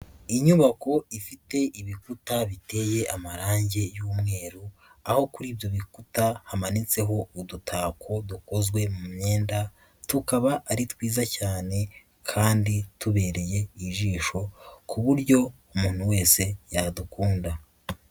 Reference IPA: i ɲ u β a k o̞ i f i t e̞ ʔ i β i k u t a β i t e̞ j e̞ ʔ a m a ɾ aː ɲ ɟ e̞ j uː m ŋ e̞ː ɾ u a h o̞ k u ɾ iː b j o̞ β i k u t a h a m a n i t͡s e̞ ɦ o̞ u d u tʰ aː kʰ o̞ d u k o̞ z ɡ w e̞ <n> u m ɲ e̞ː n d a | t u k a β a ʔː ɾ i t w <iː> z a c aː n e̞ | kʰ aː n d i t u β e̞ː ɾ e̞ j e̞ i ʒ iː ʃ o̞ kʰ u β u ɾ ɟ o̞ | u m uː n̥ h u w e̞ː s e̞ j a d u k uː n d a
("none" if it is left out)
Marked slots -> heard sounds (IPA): m, iː

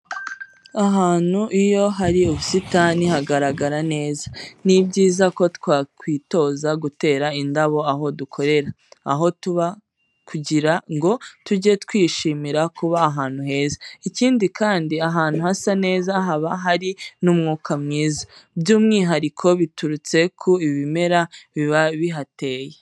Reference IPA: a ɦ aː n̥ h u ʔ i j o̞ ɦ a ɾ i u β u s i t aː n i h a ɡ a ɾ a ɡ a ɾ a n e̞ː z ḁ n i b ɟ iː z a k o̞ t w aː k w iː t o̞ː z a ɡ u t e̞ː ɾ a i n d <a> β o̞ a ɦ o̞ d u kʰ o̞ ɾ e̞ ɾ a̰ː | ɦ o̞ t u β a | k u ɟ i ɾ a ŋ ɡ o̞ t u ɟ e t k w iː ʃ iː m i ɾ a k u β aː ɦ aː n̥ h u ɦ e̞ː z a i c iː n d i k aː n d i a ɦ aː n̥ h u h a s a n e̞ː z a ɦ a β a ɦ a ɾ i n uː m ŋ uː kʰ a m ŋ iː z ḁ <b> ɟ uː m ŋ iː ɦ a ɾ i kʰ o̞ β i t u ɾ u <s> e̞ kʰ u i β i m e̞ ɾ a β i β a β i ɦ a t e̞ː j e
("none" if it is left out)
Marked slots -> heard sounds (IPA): a, b, t͡s

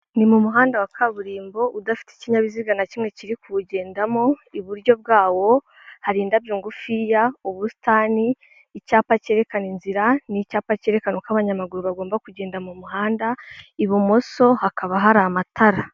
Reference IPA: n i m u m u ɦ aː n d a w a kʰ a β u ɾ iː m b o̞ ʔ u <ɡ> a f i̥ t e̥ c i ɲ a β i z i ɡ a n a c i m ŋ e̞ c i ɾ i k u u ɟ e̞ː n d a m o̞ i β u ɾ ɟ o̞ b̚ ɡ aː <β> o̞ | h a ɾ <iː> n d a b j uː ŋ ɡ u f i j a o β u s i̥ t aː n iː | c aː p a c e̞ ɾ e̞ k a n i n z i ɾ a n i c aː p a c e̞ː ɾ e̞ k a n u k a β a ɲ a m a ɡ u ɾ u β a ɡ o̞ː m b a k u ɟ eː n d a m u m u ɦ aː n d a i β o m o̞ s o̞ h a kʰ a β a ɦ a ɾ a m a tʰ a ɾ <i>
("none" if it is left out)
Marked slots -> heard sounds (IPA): d, w, iː, a

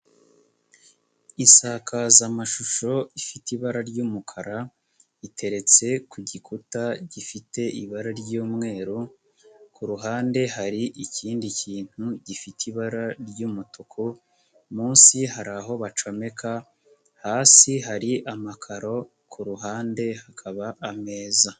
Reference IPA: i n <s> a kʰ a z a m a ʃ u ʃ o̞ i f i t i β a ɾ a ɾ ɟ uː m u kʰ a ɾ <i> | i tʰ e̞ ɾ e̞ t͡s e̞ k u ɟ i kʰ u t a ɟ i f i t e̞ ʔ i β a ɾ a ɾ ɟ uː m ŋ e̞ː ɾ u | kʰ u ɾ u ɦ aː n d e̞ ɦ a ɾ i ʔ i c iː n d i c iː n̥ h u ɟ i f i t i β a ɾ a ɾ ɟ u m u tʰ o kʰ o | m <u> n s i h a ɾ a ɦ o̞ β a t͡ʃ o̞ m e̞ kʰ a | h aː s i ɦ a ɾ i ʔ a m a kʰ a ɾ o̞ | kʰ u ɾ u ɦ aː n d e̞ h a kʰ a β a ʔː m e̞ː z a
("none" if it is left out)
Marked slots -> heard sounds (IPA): s, a, uː

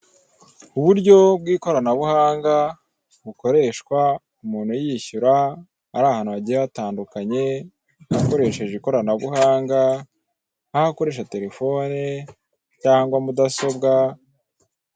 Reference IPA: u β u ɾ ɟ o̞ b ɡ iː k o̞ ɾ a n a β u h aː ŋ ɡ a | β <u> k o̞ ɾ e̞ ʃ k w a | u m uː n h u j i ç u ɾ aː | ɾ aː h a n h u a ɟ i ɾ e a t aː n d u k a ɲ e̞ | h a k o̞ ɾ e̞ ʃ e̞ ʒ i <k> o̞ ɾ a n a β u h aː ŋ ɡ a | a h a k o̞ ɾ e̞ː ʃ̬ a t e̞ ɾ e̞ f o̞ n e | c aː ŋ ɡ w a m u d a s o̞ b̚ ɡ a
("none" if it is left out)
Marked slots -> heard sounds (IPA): u, k

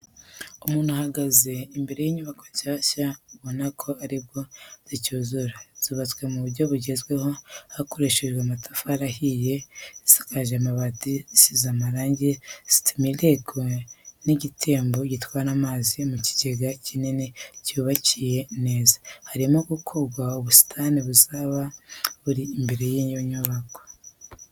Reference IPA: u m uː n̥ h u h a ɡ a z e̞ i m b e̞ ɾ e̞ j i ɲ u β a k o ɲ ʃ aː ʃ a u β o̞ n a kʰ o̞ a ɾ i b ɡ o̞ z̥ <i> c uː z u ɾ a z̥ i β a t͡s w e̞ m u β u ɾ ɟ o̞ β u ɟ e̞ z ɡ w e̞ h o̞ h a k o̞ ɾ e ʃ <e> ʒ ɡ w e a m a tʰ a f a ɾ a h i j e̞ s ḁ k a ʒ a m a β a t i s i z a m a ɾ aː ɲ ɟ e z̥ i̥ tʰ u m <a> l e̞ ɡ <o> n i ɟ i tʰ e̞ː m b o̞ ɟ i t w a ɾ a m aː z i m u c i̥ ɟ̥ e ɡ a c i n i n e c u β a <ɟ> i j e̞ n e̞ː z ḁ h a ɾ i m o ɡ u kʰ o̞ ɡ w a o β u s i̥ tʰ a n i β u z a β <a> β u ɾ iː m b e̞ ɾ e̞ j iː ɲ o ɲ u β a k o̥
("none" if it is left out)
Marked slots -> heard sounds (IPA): i, e, i, o, c, a

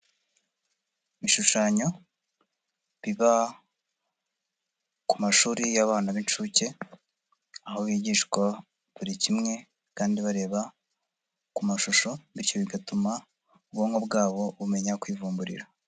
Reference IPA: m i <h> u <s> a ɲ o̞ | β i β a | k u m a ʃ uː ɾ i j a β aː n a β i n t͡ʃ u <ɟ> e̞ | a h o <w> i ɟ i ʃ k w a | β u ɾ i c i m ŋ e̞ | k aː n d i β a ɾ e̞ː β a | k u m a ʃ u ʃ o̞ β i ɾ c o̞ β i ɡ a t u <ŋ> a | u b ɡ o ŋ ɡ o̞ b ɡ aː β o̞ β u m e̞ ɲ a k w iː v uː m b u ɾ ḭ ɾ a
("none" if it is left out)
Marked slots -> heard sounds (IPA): ʃ, ʃ, c, β, m

